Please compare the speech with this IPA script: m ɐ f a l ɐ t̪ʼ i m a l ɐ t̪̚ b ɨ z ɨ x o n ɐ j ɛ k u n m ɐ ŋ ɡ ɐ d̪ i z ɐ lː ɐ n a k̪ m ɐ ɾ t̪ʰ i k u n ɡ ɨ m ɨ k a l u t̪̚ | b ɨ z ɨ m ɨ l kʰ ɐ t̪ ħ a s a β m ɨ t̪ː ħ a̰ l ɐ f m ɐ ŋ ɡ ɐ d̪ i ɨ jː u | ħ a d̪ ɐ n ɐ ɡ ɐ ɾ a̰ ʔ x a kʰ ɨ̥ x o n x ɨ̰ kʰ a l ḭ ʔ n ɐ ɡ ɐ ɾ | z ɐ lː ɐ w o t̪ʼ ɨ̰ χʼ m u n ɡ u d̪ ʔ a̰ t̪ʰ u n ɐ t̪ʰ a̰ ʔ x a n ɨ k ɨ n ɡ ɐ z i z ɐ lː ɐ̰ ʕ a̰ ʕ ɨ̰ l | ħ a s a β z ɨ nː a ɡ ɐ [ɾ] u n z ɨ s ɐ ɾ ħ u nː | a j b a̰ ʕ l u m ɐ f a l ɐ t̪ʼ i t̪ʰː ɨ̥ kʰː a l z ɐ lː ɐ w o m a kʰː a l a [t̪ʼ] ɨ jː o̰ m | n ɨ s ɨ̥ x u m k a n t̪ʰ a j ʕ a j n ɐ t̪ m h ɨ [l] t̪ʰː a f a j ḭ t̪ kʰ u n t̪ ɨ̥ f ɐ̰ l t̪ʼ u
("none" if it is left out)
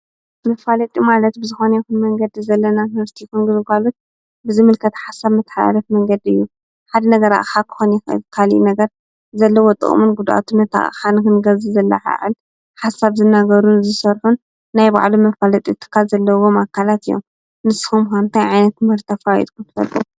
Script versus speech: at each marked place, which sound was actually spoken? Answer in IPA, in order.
ɾ, t̪, ɾ

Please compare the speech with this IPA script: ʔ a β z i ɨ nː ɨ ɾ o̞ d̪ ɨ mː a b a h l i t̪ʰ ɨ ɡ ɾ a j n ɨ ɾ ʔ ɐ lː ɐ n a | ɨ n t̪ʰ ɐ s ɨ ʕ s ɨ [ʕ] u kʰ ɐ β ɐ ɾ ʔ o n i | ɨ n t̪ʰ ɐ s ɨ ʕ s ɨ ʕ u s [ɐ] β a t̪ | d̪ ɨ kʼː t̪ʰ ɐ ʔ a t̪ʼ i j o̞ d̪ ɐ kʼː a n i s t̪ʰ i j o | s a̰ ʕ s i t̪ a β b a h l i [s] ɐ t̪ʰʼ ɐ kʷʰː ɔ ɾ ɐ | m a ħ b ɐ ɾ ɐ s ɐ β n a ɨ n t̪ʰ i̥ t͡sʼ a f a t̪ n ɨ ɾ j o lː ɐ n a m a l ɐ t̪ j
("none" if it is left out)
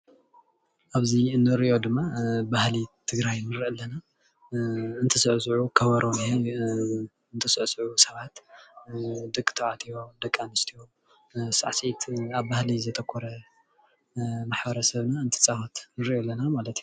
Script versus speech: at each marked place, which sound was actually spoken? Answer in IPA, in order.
ʕ, ɐ, z

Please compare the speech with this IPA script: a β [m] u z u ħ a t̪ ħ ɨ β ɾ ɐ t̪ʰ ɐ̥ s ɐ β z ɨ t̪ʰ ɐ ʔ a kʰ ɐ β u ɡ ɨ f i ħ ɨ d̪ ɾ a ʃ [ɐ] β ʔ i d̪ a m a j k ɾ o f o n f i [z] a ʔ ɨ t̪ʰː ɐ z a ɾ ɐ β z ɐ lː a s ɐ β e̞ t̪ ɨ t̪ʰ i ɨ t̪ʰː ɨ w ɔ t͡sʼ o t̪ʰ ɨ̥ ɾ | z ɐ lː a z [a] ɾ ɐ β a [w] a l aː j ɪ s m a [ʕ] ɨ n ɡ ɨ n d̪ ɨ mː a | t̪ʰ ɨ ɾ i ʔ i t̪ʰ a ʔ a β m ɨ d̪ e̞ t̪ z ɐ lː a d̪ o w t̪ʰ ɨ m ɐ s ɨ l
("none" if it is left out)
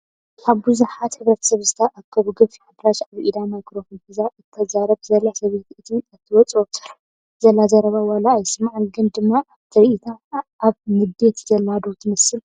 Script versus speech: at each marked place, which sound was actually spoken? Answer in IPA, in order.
b, a, z, ɐ, w, ʕ

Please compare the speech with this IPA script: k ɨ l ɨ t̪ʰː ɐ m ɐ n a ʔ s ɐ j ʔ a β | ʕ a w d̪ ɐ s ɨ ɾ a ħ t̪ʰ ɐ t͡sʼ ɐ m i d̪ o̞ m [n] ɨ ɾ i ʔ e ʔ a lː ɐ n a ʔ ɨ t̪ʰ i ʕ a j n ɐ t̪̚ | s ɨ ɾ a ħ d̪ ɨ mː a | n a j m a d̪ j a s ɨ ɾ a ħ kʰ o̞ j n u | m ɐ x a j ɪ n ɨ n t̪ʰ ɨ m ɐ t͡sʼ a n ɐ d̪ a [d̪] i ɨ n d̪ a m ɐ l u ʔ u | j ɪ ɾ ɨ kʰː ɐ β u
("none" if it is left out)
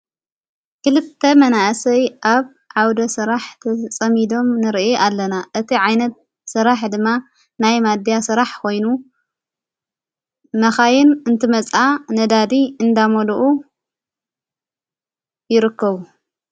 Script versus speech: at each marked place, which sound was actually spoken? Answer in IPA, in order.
n, d̪

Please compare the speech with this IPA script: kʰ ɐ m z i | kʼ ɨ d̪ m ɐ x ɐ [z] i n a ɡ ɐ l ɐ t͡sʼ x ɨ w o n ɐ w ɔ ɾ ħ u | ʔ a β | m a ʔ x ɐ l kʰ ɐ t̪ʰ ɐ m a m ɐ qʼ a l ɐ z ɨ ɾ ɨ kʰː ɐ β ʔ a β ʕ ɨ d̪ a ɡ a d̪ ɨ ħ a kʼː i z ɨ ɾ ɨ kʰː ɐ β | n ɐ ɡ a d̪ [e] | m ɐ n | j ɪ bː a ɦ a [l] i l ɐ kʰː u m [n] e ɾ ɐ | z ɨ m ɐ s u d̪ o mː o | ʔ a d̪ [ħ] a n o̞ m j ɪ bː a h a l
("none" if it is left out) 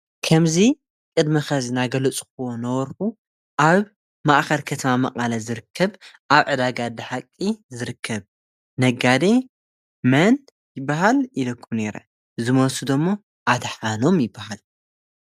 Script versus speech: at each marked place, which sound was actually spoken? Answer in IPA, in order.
z, e, l, n, ħ

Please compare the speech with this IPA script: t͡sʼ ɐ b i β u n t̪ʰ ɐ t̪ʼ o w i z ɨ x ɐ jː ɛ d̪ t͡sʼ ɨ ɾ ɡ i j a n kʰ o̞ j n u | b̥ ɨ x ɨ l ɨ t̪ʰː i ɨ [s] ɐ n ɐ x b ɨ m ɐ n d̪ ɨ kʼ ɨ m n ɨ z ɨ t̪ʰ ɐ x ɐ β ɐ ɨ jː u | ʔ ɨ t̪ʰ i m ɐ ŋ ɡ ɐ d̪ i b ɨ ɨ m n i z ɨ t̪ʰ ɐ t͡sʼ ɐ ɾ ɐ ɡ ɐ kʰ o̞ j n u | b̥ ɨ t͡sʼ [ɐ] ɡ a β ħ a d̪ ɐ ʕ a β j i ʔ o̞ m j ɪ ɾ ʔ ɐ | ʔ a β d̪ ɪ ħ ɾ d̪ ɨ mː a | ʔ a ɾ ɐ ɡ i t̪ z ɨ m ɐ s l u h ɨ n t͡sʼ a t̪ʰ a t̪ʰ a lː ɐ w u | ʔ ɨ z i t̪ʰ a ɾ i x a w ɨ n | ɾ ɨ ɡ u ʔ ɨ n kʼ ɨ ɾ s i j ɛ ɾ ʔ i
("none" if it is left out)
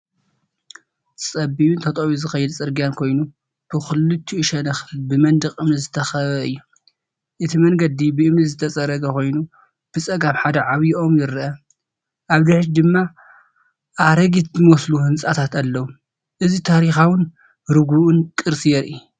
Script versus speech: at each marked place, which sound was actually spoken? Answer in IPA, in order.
ʃ, ɐ

